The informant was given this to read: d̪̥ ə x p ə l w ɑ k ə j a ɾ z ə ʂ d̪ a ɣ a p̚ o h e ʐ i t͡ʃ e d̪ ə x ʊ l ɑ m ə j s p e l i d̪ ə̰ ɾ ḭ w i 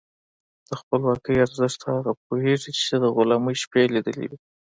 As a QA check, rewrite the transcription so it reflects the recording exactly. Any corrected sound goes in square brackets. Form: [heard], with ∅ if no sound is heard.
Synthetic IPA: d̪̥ ə x p ə l w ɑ k ə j a ɾ z ə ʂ [t̪] a ɣ a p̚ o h e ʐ i t͡ʃ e d̪ ə [ɣ] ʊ l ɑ m ə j [ʃ] p e l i d̪ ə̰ [l] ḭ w i